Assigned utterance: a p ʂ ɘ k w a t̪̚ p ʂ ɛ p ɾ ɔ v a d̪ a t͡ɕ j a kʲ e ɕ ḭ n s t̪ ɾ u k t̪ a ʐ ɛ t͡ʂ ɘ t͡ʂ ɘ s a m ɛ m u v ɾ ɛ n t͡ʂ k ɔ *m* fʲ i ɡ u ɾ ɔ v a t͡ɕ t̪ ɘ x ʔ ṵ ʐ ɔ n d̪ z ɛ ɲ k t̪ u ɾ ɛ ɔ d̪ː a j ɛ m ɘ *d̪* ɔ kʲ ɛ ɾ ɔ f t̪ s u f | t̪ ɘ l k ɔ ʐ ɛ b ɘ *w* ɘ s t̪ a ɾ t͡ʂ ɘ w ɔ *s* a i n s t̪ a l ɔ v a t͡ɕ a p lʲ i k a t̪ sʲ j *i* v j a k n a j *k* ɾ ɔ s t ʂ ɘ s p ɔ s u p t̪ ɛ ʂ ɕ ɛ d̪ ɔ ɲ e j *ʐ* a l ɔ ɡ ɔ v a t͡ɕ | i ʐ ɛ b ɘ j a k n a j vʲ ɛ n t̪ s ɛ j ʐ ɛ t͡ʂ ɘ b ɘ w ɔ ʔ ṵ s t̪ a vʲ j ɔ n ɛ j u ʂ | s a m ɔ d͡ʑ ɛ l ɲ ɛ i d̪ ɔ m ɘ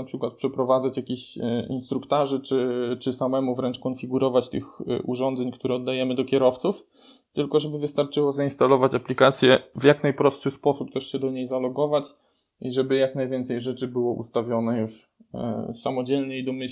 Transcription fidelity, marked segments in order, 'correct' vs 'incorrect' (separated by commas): incorrect, correct, incorrect, incorrect, incorrect, incorrect, incorrect